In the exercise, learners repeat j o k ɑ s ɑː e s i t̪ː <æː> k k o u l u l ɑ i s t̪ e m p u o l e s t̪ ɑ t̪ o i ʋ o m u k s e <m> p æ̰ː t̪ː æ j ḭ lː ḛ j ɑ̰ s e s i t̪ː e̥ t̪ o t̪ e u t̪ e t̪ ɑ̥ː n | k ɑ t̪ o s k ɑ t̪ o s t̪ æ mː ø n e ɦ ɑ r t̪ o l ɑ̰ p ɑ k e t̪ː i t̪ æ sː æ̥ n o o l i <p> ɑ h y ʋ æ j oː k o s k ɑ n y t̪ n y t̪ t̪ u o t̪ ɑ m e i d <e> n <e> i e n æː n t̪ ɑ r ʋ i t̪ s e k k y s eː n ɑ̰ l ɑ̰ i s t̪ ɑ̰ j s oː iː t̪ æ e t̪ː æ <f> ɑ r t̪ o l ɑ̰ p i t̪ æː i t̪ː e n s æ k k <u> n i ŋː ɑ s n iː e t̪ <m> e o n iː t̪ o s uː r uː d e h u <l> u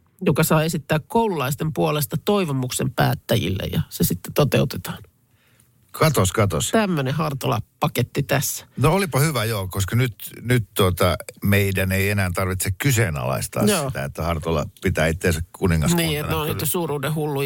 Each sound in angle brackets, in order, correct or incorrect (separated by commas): correct, correct, correct, incorrect, correct, incorrect, correct, incorrect, incorrect